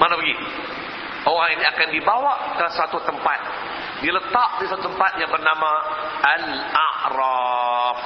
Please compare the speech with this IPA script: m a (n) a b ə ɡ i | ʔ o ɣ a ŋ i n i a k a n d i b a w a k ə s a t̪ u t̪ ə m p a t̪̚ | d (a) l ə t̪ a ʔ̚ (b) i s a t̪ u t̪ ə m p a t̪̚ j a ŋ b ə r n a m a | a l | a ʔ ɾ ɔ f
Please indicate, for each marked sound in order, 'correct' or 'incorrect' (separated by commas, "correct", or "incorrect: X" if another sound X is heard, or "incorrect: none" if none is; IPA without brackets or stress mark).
correct, incorrect: i, incorrect: d